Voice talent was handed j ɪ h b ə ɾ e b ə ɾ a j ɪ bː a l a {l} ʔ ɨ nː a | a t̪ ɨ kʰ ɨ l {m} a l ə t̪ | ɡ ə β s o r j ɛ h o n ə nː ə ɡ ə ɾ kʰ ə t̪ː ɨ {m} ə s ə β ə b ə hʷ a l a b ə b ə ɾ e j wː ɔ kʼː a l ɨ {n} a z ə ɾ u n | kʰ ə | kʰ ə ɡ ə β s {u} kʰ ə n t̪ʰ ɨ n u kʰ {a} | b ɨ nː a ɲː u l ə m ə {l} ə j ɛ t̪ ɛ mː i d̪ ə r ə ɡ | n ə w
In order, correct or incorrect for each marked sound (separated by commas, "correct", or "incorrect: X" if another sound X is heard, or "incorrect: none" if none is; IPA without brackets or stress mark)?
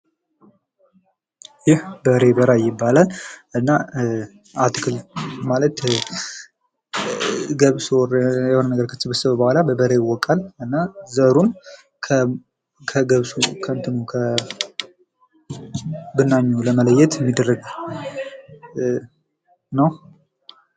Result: correct, correct, incorrect: b, incorrect: nː, correct, incorrect: ə, correct